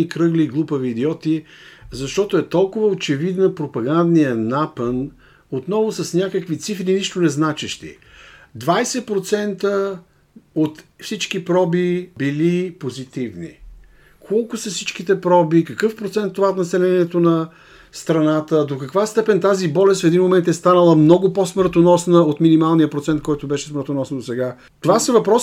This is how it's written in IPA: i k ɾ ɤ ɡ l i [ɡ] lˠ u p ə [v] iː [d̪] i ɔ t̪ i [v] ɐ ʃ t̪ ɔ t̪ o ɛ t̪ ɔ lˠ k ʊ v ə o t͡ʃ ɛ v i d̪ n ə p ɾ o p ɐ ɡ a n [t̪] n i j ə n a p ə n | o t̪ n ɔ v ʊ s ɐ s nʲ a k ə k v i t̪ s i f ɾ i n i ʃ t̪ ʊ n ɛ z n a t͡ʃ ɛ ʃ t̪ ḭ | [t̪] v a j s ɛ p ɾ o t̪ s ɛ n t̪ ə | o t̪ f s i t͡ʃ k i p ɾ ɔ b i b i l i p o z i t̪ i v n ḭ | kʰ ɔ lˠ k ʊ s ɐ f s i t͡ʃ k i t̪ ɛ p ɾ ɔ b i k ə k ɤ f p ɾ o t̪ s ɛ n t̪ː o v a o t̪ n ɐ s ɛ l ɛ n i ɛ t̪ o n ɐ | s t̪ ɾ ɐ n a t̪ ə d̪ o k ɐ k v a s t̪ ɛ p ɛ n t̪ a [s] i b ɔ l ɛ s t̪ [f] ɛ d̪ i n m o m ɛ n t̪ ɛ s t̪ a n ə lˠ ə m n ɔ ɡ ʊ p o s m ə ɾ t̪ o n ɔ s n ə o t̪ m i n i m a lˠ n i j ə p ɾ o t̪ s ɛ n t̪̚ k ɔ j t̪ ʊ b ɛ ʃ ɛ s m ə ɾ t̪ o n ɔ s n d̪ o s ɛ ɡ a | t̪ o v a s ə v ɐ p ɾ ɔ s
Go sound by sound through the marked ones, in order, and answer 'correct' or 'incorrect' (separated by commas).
correct, correct, correct, incorrect, incorrect, incorrect, incorrect, correct